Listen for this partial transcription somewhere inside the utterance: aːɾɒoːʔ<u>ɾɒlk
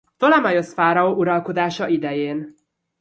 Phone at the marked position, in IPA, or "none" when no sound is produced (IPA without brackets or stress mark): u